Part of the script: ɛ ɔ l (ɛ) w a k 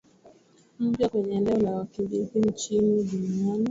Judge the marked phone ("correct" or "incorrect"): incorrect